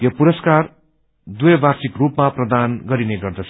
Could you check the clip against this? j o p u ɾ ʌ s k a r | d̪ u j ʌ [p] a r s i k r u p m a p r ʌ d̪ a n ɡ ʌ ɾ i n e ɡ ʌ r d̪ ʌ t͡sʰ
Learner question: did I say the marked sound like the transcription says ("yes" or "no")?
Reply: no